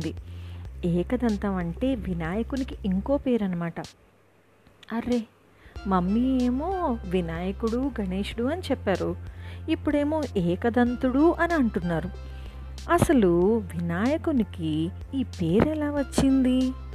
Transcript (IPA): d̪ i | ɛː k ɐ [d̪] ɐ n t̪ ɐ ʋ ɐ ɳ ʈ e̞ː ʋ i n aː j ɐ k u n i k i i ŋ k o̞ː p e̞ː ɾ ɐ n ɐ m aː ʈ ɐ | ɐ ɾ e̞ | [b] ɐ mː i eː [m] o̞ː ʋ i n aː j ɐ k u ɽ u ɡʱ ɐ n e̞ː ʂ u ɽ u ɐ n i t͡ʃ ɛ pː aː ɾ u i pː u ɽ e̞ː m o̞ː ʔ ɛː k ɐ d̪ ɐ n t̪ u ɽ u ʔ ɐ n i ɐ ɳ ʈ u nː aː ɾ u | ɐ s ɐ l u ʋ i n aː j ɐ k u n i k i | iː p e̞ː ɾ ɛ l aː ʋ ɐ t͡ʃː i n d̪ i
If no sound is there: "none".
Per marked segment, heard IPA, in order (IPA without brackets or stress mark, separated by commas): d̪, m, m